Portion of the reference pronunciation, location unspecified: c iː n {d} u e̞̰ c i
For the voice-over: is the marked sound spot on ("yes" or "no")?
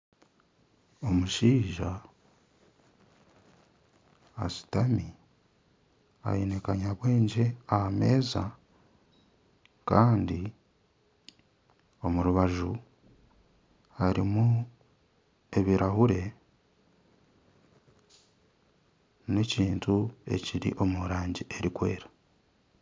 no